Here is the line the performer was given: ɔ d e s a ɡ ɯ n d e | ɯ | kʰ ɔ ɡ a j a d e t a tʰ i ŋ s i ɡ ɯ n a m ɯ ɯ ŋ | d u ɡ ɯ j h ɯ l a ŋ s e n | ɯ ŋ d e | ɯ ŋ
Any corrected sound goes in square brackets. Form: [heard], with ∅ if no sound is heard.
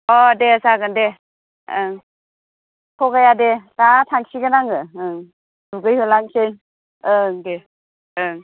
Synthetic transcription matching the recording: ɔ d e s a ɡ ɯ n d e | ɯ | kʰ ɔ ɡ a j a d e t a tʰ [a] ŋ s i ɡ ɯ n a [ŋ] ɯ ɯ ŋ | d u ɡ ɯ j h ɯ l a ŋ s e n | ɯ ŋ d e | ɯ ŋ

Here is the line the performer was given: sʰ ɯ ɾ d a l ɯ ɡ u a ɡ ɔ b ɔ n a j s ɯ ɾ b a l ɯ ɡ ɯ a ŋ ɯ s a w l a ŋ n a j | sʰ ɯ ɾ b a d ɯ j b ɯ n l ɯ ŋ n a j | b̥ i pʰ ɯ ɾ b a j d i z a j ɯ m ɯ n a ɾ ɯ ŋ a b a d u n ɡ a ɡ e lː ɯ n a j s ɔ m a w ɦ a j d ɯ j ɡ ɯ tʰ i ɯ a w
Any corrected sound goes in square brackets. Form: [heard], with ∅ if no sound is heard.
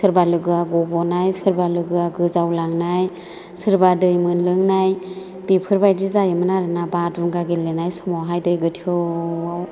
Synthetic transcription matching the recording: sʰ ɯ ɾ [b] a l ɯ ɡ [ɯ] a ɡ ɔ b ɔ n a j s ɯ ɾ b a l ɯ ɡ ɯ a [ɡ] ɯ [z] a w l a ŋ n a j | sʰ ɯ ɾ b a d ɯ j [m] ɯ n l ɯ ŋ n a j | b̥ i pʰ ɯ ɾ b a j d i z a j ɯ m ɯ n a ɾ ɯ [n] a b a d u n ɡ a ɡ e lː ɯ n a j s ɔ m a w ɦ a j d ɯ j ɡ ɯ tʰ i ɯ a w

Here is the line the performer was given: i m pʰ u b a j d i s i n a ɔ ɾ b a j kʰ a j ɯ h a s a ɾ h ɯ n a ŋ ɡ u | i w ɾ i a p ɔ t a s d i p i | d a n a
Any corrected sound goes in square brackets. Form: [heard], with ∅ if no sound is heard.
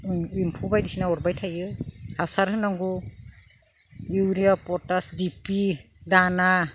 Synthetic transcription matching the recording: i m pʰ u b a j d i s i n a ɔ ɾ b a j [tʰ] a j ɯ h a s a ɾ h ɯ n a ŋ ɡ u | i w ɾ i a p ɔ t a s d i p i | d a n a

